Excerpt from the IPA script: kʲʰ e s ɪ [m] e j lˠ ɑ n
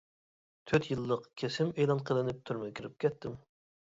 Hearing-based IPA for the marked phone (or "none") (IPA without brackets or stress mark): m